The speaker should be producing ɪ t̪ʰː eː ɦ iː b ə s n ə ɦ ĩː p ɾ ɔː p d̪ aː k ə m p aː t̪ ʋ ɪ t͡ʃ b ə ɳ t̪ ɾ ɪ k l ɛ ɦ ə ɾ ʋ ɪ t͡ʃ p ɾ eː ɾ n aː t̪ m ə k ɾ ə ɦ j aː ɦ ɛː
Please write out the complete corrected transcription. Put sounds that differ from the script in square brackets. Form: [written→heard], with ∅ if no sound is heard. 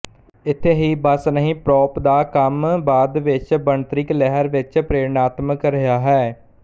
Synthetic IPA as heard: ɪ t̪ʰː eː ɦ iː b ə s n ə ɦ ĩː p ɾ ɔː p d̪ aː k ə m [p→b] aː [t̪→d̪] ʋ ɪ t͡ʃ b ə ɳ t̪ ɾ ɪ k l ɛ ɦ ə ɾ ʋ ɪ t͡ʃ p ɾ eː ɾ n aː t̪ m ə k ɾ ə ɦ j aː ɦ ɛː